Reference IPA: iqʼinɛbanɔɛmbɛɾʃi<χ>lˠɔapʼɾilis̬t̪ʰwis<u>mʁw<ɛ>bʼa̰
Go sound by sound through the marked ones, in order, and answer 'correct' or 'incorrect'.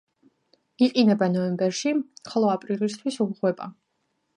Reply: correct, correct, correct

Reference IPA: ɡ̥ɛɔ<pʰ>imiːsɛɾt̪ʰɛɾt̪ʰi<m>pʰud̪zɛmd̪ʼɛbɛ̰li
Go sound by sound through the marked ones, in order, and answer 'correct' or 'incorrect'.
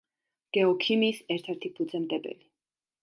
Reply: incorrect, incorrect

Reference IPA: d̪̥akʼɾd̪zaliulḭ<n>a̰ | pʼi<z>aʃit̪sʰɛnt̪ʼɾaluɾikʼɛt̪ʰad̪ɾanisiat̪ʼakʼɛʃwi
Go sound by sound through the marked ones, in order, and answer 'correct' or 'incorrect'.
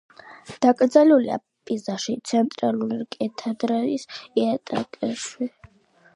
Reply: incorrect, correct

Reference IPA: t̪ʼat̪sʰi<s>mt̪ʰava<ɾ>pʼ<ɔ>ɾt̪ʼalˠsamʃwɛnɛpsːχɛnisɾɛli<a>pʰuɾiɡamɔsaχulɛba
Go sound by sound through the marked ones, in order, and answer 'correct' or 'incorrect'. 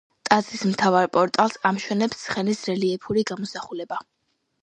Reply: correct, correct, correct, incorrect

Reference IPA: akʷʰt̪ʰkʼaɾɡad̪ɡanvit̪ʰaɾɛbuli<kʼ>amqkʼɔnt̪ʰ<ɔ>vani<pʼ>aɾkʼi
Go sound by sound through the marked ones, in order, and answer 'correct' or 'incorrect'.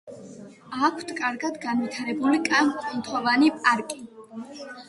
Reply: correct, correct, correct

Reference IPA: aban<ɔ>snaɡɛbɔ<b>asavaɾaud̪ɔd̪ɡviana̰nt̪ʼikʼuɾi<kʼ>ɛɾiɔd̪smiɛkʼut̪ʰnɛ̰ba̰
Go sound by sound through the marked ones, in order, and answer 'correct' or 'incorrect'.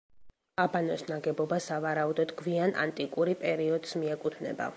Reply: correct, correct, incorrect

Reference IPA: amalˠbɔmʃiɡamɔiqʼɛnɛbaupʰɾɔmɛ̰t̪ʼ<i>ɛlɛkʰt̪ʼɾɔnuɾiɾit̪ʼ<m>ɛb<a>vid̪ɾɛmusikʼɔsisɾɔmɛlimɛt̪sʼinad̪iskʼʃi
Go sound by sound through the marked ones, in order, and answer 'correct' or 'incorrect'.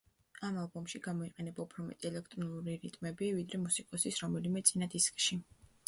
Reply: correct, correct, incorrect

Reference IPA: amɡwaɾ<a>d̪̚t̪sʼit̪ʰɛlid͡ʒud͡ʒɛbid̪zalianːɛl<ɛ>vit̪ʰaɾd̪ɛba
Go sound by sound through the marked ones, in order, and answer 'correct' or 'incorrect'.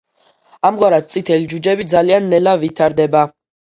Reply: correct, incorrect

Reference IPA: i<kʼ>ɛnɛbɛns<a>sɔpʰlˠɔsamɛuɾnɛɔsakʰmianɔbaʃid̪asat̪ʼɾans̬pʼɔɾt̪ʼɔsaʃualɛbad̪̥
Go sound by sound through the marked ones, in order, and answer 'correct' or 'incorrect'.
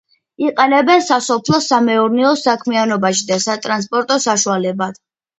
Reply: incorrect, correct

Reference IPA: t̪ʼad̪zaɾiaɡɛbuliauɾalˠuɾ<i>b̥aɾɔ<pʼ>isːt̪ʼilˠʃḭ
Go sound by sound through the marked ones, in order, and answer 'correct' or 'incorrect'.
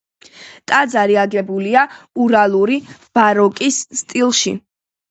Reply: correct, incorrect

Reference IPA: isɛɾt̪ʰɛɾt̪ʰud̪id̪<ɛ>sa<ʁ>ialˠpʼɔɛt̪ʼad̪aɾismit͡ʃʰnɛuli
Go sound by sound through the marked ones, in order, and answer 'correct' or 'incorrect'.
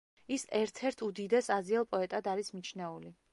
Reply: correct, incorrect

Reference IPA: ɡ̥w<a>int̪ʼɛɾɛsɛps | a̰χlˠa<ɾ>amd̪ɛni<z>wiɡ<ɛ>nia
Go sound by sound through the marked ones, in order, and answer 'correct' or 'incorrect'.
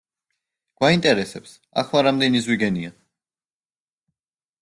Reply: correct, correct, correct, correct

